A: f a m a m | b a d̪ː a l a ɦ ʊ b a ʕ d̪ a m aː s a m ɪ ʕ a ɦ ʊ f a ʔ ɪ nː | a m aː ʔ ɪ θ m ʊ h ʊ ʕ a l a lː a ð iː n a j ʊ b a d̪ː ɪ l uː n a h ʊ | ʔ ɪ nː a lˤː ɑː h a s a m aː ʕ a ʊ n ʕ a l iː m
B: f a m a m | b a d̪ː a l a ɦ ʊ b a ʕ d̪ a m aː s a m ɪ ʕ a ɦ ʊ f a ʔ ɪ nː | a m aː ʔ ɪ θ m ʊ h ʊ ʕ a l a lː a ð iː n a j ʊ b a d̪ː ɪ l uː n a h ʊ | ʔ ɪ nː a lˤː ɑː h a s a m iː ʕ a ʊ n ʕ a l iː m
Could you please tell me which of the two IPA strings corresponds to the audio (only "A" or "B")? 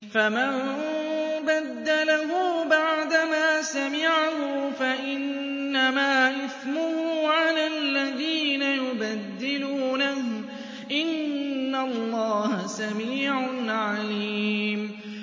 B